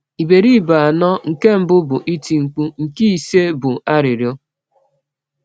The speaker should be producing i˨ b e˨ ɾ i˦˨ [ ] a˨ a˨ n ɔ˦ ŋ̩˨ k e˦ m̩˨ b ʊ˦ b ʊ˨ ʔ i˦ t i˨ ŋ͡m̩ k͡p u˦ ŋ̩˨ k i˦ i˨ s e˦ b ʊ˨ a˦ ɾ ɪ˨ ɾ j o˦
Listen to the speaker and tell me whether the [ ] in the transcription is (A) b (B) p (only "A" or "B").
A